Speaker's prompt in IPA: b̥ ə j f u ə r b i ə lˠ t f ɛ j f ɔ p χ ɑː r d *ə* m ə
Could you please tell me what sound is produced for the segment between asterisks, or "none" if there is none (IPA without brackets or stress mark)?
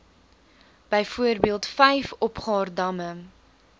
ɐ